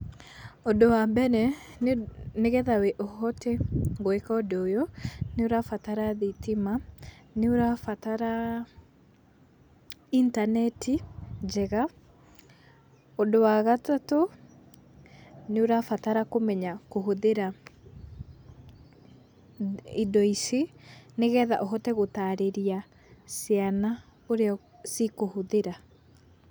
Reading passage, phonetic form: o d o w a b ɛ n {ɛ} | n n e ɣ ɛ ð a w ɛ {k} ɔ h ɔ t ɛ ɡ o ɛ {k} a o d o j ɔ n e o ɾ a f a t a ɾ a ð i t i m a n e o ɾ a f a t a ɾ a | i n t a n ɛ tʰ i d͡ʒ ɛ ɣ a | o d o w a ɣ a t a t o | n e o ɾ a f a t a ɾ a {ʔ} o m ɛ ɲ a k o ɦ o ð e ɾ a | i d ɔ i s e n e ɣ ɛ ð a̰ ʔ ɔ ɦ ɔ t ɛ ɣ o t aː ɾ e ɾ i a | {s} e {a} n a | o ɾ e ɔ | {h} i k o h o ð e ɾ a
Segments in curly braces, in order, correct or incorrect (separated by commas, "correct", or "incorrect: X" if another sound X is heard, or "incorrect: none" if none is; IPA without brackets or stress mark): correct, incorrect: ʔ, correct, incorrect: k, correct, correct, incorrect: s